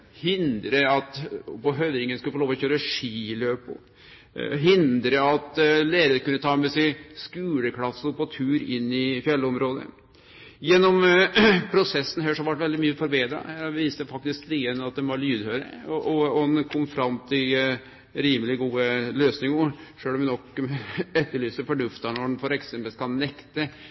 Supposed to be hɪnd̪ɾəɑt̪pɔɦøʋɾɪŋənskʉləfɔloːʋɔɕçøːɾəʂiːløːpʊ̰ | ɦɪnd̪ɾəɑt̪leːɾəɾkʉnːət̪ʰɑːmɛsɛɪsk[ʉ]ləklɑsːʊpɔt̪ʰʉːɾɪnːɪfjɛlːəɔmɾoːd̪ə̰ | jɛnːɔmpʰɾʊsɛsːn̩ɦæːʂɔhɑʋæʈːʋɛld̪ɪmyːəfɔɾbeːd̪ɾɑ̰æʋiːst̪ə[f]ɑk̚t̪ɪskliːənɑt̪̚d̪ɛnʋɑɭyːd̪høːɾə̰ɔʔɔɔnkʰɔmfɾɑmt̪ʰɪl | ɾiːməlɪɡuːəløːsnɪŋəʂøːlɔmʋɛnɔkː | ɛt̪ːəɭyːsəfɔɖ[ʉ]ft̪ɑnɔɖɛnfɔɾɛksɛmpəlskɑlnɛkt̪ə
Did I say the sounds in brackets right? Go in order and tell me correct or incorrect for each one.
incorrect: ʉː, correct, correct

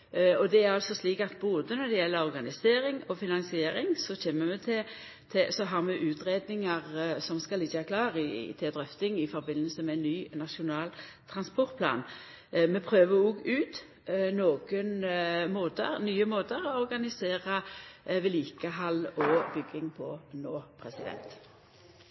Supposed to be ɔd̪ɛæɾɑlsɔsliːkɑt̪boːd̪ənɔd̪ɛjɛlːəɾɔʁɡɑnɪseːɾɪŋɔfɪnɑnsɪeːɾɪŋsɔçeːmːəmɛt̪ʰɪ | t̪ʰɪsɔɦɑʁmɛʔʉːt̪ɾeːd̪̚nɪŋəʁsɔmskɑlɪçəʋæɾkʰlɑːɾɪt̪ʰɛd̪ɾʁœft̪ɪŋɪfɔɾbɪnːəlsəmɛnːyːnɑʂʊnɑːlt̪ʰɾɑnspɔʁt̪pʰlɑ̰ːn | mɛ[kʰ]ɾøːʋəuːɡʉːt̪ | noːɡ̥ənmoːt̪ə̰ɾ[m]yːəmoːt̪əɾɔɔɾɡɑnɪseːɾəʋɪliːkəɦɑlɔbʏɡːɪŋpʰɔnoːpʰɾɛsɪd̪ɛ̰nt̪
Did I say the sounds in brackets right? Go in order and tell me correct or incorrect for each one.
incorrect: pʰ, incorrect: n

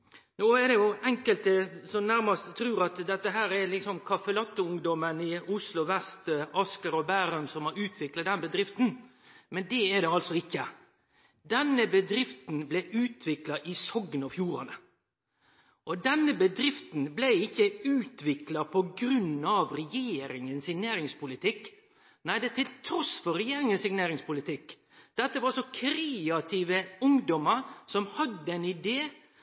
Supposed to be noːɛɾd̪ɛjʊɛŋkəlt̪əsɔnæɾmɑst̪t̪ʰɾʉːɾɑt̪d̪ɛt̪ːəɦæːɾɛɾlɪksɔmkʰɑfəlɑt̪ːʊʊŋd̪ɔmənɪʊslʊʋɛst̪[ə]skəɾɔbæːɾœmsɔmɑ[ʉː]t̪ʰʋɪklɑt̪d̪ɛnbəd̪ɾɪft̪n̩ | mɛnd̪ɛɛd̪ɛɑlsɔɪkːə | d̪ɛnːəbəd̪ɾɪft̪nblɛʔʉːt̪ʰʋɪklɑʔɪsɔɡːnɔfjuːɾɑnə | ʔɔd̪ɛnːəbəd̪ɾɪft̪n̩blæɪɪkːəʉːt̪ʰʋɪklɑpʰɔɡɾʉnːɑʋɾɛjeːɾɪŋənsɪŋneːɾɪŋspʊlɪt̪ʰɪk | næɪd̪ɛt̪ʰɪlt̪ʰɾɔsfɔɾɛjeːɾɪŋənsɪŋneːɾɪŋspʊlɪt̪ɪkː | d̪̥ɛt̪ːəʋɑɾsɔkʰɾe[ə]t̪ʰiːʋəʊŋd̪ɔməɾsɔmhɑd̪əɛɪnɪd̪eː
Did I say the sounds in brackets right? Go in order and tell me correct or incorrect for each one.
incorrect: ɑ, correct, incorrect: ɑ

